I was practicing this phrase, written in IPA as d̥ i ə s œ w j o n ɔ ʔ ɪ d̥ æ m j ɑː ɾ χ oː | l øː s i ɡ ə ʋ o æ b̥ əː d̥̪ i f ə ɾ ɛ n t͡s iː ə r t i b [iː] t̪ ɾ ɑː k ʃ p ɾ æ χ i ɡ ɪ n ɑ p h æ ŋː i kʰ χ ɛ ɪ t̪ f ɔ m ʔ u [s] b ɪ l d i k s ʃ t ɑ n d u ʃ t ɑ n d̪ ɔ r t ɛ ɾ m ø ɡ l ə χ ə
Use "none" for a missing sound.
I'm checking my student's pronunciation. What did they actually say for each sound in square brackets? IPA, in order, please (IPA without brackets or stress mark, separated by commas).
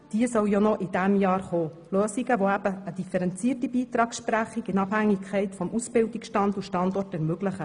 iː, s